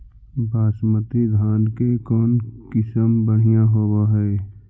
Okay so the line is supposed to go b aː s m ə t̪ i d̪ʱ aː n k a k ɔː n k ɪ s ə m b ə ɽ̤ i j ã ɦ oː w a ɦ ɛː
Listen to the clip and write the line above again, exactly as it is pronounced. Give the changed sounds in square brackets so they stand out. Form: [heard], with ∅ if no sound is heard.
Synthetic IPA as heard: b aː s m ə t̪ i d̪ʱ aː n k [e] k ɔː n k ɪ s ə m b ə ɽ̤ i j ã ɦ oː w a ɦ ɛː